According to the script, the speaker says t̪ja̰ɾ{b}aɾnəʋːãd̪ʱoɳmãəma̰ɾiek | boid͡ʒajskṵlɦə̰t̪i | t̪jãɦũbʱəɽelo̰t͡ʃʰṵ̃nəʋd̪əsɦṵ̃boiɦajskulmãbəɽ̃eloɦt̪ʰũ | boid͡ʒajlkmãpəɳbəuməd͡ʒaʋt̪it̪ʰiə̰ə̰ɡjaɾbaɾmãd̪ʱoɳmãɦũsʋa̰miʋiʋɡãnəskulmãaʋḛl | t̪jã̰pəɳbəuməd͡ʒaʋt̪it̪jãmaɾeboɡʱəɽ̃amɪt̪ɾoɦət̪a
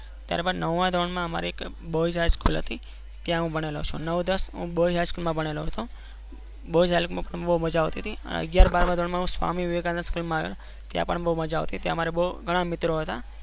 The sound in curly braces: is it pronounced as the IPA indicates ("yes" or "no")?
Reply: yes